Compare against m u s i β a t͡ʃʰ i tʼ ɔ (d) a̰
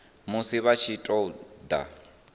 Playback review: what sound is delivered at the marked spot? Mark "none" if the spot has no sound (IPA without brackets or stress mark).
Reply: d